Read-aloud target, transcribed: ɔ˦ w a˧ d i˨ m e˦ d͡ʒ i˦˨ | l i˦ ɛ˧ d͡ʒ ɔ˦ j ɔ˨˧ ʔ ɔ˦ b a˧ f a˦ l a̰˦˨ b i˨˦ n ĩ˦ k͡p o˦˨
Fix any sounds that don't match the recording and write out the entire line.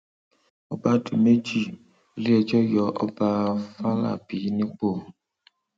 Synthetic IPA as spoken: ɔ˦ b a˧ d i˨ m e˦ d͡ʒ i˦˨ | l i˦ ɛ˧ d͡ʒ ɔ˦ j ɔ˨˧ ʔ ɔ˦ b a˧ f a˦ l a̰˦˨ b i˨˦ n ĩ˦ k͡p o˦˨

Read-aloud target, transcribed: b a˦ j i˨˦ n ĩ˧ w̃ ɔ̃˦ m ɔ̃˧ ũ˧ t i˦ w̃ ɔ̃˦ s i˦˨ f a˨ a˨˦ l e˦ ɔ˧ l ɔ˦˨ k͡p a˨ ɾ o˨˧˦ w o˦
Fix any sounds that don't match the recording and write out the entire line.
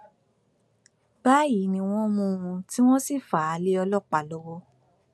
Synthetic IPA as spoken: b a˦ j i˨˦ n ĩ˧ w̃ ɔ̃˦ m ũ˧ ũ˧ t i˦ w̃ ɔ̃˦ s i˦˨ f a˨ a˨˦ l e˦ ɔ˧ l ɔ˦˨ k͡p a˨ l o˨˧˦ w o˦

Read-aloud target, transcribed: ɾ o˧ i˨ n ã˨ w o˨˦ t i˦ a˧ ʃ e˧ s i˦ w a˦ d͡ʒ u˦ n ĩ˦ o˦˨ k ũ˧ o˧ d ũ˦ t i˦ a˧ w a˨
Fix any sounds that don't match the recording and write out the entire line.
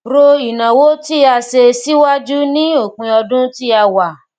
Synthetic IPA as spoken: ɾ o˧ i˨ n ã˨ w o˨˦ t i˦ a˧ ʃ e˧ s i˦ w a˦ d͡ʒ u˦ n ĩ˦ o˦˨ k ũ˧ ɔ˧ d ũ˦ t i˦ a˧ w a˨

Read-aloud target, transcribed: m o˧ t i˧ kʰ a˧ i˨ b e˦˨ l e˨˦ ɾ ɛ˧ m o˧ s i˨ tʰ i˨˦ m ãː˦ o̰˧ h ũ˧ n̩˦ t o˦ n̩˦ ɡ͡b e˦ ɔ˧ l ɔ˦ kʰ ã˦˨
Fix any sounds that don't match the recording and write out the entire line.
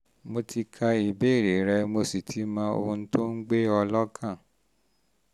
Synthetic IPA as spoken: m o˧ t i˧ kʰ a˧ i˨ b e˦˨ ɾ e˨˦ ɾ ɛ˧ m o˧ s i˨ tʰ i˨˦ m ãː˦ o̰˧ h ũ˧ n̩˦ t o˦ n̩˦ ɡ͡b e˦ ɔ˧ l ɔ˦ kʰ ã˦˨

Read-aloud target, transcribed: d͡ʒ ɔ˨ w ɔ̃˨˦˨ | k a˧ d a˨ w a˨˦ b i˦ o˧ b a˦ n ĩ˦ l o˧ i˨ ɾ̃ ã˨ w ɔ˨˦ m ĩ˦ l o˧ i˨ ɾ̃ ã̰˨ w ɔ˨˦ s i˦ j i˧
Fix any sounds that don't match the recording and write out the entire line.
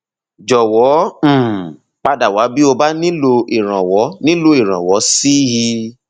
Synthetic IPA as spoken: d͡ʒ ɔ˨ w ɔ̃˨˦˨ | k͡p a˧ d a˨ w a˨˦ b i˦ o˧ b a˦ n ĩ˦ l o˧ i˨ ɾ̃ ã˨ w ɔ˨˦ n ĩ˦ l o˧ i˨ ɾ̃ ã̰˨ w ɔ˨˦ s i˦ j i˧

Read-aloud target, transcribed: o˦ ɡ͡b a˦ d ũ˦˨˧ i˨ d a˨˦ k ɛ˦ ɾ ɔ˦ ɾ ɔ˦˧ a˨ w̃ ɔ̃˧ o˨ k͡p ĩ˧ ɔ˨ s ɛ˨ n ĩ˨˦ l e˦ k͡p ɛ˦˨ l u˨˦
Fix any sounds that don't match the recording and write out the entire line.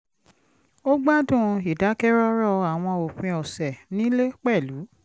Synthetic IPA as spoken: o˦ ɡ͡b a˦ d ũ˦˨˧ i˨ d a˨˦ k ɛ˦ ɾ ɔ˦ ɾ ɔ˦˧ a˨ w̃ ɔ̃˧ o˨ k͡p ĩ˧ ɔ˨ s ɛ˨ n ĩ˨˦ l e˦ k͡p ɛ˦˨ l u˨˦

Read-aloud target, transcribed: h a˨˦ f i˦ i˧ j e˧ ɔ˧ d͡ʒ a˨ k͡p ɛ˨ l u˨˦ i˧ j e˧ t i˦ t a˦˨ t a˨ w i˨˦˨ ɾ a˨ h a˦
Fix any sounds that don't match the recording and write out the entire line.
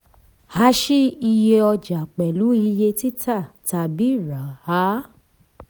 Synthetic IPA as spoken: h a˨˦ ʃ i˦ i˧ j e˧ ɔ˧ d͡ʒ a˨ k͡p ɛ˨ l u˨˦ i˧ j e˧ t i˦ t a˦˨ t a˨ b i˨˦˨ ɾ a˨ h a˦

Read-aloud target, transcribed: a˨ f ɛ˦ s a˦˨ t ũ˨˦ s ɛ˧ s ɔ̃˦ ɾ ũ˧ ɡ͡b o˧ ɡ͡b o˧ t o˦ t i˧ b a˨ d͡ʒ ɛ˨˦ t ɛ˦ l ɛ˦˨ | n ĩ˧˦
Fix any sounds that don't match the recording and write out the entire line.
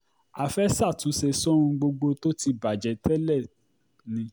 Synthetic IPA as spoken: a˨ f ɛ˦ s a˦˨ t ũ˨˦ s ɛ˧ s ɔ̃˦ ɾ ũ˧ ɡ͡b o˧ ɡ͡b o˧ t o˦ t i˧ b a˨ d͡ʒ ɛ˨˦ t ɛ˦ l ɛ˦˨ | n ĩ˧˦

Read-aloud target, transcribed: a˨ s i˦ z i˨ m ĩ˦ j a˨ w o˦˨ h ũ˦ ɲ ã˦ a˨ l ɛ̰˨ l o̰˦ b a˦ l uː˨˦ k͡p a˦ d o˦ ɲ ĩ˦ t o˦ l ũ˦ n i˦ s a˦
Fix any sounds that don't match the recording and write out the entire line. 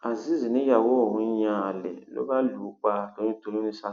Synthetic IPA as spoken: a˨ z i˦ z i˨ n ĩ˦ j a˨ w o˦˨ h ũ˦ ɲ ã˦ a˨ l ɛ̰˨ l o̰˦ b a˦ l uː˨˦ k͡p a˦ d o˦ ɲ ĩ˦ t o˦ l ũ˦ n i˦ s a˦

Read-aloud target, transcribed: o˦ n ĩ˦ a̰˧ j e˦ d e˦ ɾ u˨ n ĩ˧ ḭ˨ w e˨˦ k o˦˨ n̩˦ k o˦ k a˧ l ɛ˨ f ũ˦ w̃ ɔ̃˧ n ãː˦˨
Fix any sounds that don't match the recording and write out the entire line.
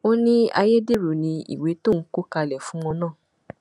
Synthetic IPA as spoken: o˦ n ĩ˦ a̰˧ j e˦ d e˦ ɾ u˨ n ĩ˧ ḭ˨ w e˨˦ t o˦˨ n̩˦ k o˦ k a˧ l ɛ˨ f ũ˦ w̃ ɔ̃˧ n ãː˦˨

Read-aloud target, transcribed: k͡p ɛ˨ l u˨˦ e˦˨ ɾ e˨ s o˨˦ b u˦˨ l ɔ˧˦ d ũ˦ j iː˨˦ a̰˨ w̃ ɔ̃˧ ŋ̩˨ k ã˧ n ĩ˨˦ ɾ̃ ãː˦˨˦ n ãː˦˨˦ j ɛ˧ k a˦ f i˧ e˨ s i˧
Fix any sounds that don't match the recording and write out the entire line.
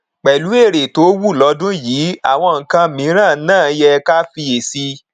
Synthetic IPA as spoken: k͡p ɛ˨ l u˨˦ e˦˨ ɾ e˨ t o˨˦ w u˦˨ l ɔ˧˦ d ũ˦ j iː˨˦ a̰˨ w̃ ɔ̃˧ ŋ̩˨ k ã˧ m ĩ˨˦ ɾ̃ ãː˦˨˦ n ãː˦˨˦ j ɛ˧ k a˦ f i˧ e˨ s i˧

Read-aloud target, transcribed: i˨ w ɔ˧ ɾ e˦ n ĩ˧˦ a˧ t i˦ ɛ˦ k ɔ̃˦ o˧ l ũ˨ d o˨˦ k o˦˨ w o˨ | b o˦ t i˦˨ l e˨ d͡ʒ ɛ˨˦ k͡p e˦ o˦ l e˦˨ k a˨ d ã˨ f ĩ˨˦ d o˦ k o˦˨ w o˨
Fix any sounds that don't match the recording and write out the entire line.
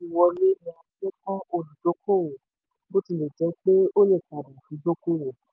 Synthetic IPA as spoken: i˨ w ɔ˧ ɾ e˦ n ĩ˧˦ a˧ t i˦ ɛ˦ k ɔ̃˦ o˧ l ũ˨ d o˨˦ k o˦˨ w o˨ | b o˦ t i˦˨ l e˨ d͡ʒ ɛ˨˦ k͡p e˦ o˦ l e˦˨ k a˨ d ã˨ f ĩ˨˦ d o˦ k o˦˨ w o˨

